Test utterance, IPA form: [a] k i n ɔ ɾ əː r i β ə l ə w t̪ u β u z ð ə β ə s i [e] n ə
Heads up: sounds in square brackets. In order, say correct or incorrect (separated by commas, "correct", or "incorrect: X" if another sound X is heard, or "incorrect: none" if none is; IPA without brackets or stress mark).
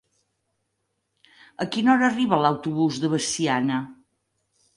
incorrect: ə, incorrect: a